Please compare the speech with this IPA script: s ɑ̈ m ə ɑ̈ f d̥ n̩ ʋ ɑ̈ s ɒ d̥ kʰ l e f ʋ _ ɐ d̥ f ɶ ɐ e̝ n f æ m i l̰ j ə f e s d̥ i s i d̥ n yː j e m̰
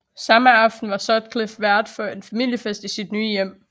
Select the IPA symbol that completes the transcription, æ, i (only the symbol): æ